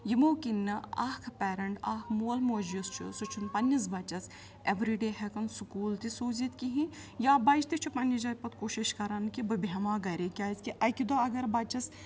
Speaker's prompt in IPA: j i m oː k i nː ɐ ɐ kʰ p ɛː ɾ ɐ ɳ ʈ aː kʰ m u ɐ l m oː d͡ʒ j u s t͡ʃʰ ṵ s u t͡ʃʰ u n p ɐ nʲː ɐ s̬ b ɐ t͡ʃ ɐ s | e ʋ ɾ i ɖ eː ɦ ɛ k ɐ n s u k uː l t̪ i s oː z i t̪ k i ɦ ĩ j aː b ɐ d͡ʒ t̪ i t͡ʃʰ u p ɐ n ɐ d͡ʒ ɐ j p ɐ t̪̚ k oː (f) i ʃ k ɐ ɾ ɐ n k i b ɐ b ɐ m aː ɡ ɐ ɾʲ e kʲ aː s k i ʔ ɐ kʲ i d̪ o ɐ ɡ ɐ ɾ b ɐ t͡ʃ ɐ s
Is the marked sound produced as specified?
no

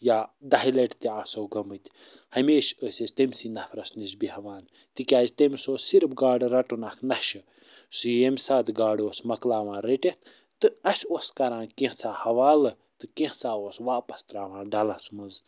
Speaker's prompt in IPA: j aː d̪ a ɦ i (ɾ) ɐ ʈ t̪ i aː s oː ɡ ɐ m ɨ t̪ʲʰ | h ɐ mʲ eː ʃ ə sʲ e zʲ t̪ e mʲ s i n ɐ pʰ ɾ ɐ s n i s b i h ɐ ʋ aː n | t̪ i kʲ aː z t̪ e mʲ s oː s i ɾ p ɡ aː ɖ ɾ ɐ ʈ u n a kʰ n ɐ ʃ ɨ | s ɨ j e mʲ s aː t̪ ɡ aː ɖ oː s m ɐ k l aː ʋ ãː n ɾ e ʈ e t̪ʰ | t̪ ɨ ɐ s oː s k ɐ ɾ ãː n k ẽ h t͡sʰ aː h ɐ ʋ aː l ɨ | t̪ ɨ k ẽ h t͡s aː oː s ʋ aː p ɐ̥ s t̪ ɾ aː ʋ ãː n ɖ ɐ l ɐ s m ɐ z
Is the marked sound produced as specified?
no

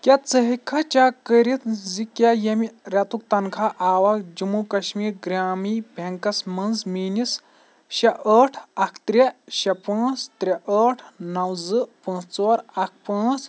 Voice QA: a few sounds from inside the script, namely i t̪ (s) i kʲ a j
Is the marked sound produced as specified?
no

